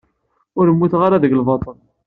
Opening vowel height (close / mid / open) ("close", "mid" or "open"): close